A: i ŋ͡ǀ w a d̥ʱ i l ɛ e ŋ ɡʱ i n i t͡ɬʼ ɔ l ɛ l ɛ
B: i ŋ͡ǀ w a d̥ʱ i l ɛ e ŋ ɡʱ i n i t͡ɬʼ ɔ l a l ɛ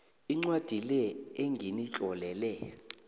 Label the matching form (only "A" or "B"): A